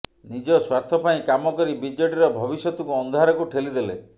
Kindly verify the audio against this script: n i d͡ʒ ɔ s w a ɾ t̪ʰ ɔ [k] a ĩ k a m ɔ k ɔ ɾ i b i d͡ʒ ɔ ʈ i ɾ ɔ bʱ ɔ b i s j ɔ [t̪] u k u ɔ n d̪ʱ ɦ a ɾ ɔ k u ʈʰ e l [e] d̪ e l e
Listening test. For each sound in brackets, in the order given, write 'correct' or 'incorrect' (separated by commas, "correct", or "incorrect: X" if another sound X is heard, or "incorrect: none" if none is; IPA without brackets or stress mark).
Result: incorrect: p, correct, incorrect: i